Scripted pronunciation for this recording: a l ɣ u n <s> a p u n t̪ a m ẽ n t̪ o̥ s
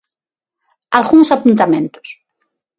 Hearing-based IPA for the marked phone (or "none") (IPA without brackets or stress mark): s